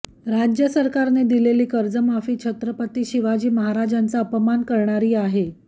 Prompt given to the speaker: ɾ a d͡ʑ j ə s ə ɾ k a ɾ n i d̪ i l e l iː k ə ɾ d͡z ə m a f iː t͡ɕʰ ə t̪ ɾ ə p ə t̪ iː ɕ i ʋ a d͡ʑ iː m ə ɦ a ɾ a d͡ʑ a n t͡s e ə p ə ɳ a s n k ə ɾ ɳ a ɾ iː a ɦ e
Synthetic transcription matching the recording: ɾ a d͡ʑ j ə s ə ɾ k a ɾ n e d̪ i l e l iː k ə ɾ d͡z ə m a f iː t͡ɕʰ ə t̪ ɾ ə p ə t̪ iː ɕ i ʋ a d͡ʑ iː m ə ɦ a ɾ a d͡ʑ a n t͡s a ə p ə m a n k ə ɾ ɳ a ɾ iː a ɦ e